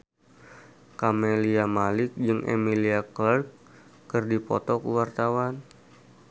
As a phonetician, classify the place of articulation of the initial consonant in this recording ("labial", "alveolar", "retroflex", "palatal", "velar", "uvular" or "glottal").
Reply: velar